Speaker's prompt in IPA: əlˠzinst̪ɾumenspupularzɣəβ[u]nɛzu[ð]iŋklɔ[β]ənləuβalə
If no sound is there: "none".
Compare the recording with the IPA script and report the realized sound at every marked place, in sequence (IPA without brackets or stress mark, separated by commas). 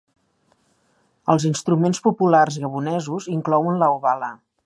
u, z, w